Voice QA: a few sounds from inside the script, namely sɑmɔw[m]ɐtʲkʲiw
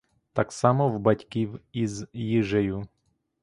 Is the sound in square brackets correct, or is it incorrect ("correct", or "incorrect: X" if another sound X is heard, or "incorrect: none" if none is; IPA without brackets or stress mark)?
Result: incorrect: b